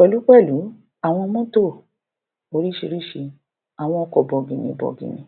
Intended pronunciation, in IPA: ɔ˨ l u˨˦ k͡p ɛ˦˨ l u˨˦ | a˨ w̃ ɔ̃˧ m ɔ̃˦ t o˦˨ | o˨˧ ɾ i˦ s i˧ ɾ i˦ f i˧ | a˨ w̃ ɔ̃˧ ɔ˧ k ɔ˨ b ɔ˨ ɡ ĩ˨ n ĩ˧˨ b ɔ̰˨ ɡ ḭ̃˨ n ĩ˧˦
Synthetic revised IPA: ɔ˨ l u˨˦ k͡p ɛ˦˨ l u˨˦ | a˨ w̃ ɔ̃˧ m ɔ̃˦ t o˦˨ | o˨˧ ɾ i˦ ʃ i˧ ɾ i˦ ʃ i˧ | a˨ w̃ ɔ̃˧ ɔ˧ k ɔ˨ b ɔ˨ ɡ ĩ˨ n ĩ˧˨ b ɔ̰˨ ɡ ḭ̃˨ n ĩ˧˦